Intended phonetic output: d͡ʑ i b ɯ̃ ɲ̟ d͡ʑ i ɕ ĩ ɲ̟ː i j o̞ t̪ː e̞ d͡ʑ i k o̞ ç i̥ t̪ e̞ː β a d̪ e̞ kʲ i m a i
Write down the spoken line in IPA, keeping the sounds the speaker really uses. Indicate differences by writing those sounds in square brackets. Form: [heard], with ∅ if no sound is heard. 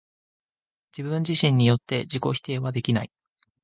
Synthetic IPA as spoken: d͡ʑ i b ɯ̃ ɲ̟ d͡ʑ i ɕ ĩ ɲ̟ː i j o̞ t̪ː e̞ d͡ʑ i k o̞ ç i̥ t̪ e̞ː β a d̪ e̞ kʲ i [n] a i